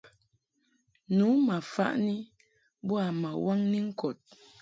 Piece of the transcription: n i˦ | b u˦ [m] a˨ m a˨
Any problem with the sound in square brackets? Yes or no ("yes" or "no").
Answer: yes